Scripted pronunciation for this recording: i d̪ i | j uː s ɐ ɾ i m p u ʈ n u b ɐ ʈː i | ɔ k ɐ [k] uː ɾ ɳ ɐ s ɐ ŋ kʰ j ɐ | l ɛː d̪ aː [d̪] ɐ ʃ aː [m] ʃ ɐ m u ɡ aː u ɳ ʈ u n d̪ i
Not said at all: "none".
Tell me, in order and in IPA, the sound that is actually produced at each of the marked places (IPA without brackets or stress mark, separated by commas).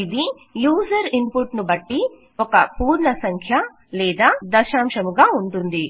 p, d̪, m